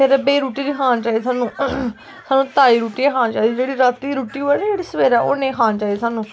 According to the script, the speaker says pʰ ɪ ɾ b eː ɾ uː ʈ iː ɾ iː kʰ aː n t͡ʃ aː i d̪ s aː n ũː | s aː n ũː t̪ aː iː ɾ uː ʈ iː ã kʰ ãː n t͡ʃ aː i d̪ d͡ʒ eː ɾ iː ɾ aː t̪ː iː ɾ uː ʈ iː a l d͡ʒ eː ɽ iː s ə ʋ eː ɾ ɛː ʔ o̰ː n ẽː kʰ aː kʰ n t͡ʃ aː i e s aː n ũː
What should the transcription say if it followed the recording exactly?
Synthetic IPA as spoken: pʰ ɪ ɾ b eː ɾ uː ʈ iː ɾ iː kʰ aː n t͡ʃ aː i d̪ s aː n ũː | s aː n ũː t̪ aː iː ɾ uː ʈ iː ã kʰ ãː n t͡ʃ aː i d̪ d͡ʒ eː ɽ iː ɾ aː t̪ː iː ɾ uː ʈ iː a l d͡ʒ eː ɽ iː s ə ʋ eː ɾ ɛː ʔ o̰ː n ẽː kʰ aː n t͡ʃ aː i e s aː n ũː